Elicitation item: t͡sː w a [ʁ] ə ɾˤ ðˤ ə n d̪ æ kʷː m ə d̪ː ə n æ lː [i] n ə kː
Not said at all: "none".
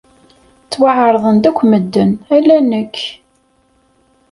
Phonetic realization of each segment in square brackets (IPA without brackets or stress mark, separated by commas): ʕ, æ